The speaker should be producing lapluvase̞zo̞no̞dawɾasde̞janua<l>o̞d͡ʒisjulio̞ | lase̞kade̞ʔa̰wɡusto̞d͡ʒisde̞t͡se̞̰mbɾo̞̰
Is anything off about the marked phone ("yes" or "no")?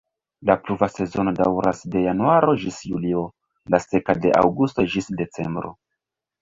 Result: yes